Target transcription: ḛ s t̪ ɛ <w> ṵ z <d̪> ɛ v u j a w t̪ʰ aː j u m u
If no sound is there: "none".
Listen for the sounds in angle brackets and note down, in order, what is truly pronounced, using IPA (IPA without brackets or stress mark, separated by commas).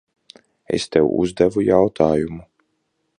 w, d̪